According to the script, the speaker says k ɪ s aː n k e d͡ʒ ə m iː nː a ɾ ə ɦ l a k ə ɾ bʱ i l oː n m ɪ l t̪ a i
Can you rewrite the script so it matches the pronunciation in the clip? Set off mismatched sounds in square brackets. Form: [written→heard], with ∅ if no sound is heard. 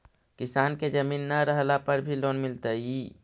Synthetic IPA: k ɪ s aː n k e d͡ʒ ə m iː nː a ɾ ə ɦ l a [k→p] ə ɾ bʱ i l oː n m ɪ l t̪ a i